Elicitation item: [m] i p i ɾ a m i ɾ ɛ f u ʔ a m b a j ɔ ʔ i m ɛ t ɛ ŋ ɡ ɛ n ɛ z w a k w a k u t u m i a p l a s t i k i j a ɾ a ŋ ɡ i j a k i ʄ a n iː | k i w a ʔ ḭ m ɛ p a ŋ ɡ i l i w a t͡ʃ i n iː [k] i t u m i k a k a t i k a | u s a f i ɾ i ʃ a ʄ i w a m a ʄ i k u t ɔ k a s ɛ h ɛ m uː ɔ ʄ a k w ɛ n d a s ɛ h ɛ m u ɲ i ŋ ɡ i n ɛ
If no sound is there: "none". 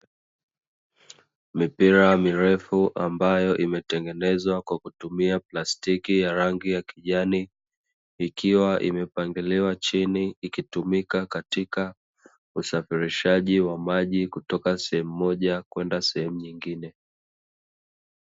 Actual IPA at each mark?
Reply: m, k

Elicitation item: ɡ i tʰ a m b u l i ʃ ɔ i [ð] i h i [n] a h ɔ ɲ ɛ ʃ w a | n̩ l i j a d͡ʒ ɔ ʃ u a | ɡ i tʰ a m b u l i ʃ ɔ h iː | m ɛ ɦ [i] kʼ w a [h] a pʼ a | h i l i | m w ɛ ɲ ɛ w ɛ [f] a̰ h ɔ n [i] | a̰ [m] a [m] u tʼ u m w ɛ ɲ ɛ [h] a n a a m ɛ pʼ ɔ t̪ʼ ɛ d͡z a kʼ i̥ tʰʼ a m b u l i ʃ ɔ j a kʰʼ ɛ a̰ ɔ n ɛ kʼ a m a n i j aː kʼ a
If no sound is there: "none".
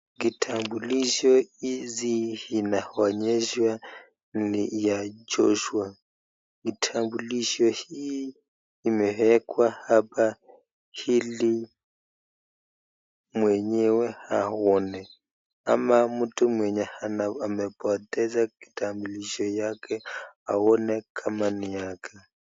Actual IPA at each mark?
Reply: z, n, ɛ, h, h, ɛ, m, m, h

